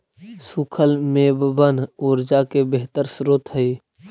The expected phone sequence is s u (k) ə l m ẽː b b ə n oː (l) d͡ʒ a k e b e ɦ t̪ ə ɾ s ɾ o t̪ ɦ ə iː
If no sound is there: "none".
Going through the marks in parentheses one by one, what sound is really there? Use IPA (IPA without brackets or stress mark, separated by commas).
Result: kʰ, ɾ